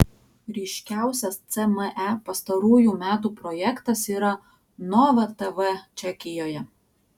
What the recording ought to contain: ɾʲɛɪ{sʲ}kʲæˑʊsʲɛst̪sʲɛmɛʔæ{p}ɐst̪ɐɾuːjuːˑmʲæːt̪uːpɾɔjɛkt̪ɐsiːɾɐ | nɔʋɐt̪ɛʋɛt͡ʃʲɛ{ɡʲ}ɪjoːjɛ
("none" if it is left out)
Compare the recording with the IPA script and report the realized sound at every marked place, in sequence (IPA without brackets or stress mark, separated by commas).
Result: ʃʲ, p, kʲ